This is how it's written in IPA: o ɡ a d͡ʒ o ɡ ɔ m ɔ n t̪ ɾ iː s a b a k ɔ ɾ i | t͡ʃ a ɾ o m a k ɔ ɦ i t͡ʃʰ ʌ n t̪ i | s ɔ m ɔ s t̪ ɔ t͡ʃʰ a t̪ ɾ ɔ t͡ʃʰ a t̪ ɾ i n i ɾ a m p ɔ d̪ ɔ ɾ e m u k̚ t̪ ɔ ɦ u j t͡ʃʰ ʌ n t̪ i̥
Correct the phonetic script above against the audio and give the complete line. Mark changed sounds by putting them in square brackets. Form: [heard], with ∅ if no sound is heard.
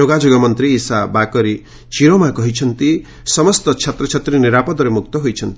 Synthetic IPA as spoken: o ɡ a d͡ʒ o ɡ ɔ m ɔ n t̪ ɾ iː s a b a k ɔ ɾ i | t͡ʃ [i] ɾ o m a k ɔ ɦ i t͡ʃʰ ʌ n t̪ i | s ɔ m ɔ s t̪ ɔ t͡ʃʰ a t̪ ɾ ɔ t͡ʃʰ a t̪ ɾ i n i ɾ a [∅] p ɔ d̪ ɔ ɾ e m u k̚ t̪ ɔ ɦ [o] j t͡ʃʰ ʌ n t̪ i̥